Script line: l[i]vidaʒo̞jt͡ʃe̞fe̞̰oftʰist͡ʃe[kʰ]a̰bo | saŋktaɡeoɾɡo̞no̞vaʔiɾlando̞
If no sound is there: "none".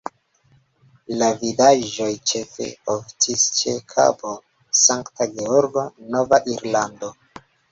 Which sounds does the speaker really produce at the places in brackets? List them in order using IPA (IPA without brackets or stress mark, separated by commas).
a, kʰ